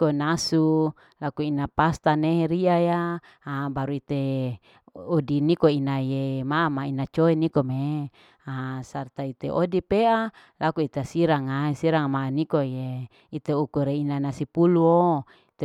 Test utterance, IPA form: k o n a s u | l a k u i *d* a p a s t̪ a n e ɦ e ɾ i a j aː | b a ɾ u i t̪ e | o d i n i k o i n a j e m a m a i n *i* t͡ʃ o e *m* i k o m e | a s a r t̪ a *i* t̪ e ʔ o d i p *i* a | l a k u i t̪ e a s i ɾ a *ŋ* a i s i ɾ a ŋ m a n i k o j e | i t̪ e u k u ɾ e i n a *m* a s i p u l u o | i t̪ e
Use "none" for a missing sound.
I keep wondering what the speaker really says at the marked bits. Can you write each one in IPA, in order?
n, a, n, i, e, ŋ, n

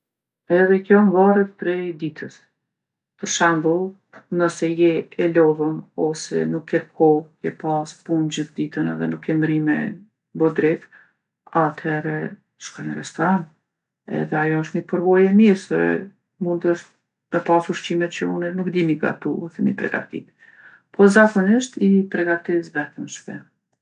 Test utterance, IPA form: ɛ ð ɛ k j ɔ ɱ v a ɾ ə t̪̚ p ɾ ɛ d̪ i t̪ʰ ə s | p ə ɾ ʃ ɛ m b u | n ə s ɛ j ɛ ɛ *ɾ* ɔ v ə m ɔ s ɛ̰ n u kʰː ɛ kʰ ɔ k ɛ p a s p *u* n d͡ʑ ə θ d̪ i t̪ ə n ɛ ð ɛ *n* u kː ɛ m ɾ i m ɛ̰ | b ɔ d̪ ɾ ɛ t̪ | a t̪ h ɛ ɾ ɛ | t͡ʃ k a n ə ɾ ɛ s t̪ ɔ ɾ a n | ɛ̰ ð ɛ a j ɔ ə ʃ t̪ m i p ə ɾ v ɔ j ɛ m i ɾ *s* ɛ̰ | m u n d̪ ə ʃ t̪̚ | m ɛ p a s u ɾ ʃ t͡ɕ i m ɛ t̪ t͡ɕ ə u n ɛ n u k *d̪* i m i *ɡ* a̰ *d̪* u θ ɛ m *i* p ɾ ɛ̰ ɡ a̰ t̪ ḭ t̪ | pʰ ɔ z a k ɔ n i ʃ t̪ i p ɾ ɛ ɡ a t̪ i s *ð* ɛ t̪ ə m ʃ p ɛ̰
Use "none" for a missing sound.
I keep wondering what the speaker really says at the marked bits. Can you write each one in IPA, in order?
l, u, n, s, d̪, ɡ, t̪, i, v

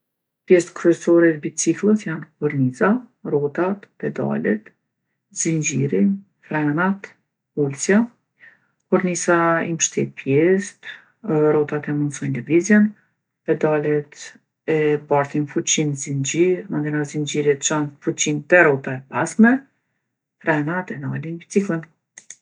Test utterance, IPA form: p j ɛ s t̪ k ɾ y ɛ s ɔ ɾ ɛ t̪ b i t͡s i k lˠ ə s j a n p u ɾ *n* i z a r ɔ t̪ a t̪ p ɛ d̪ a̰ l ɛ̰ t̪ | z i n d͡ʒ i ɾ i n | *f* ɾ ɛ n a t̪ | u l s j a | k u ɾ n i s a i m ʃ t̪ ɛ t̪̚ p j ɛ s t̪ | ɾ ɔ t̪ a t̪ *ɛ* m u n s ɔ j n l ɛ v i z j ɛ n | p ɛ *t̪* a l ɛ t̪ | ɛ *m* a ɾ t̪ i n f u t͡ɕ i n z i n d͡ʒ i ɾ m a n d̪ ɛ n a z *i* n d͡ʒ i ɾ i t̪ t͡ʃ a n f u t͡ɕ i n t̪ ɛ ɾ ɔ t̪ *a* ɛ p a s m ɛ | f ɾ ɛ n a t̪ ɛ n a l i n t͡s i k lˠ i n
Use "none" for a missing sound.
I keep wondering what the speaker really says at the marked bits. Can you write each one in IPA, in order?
n, f, ɛ, d̪, b, i, a

